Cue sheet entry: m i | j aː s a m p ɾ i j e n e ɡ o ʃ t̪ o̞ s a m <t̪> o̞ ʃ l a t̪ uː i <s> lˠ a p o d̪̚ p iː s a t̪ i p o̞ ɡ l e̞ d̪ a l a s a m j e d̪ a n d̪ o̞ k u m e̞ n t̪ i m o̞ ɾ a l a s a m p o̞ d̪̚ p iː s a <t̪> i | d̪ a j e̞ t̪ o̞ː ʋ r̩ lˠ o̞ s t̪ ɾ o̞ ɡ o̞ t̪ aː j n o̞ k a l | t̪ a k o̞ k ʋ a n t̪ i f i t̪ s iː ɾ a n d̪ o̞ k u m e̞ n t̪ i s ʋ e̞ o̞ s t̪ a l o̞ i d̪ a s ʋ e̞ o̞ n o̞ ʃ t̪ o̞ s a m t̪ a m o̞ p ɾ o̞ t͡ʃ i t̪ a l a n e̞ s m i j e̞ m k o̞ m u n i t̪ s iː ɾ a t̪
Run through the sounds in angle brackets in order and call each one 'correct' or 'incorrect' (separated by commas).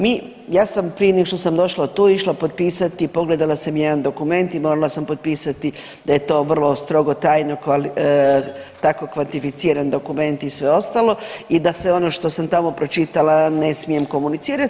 incorrect, incorrect, correct